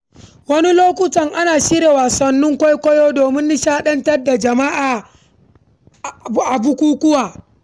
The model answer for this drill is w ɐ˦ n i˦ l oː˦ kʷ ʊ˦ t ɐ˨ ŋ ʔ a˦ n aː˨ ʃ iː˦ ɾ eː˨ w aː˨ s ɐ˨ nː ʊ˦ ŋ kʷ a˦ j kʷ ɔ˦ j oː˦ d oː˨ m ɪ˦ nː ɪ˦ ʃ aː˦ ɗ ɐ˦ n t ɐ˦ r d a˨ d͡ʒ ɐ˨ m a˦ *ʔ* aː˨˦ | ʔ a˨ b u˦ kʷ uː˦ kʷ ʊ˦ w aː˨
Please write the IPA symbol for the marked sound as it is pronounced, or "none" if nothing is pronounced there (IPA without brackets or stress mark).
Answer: ʔ